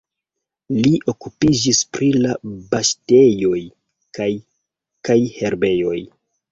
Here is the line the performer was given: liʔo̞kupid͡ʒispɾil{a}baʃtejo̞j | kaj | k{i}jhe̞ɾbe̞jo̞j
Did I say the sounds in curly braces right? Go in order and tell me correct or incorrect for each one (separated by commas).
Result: correct, incorrect